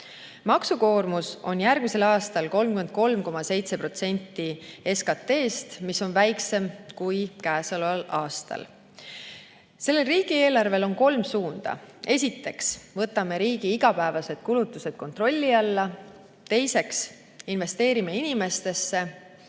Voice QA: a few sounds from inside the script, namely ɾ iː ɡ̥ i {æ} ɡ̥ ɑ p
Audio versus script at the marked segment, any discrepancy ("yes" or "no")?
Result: yes